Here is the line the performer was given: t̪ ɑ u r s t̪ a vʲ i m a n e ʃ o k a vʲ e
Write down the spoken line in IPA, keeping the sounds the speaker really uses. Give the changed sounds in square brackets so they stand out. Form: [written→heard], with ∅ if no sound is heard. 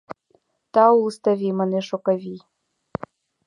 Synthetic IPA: t̪ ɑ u [r→l] s t̪ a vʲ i m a n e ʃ o k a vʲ [e→i]